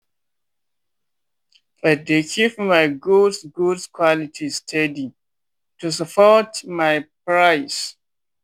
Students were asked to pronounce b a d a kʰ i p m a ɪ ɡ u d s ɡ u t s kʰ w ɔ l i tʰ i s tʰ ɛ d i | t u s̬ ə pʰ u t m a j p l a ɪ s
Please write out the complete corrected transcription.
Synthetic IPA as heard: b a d e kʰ i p m a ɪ ɡ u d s ɡ u d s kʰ w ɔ l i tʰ i s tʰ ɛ d i | t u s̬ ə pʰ ɔ t m a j p ɹ a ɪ s